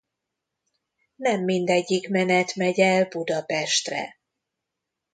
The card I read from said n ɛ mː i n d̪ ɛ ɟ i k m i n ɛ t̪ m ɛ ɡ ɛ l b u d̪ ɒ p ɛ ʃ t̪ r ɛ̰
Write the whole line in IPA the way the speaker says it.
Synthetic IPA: n ɛ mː i n d̪ ɛ ɟː i k m ɛ n ɛ t̪ m ɛ ɟ ɛ l b u d̪ ɒ p ɛ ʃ t̪ r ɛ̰